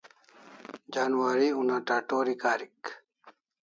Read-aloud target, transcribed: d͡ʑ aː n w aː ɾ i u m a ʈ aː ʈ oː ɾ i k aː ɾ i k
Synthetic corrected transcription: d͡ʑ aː n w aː ɾ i u n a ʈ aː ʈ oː ɾ i k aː ɾ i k